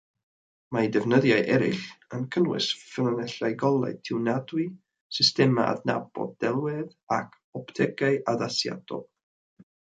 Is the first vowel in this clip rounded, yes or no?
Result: no